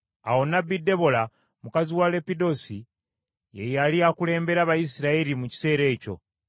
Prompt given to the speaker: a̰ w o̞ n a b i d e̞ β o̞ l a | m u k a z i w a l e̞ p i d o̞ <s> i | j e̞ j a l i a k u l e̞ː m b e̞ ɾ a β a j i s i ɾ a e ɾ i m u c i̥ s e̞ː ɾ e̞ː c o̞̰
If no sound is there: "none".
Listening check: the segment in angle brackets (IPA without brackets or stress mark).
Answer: s